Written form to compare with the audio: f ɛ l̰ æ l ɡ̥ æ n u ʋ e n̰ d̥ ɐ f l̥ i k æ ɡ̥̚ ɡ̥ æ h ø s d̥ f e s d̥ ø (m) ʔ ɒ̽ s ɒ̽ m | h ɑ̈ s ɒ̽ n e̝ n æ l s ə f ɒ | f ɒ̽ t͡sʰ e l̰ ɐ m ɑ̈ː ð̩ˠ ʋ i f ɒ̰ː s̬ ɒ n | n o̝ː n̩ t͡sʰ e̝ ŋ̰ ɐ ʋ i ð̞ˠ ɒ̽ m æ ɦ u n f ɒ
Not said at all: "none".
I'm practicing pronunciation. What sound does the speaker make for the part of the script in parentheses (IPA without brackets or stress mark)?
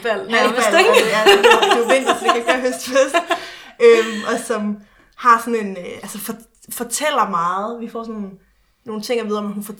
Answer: m